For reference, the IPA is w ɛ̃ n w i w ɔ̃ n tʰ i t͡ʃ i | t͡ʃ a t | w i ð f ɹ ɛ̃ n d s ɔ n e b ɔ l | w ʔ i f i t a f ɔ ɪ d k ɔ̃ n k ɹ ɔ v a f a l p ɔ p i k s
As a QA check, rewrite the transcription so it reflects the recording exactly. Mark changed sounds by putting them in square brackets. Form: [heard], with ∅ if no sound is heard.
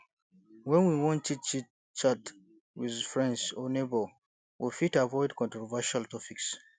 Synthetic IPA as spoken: w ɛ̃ n w i w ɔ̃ n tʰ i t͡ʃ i | t͡ʃ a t | w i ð f ɹ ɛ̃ n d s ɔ n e b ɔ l | w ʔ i f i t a [v] ɔ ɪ d k ɔ̃ n [t] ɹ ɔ v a [ʃ] a l [t] ɔ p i k s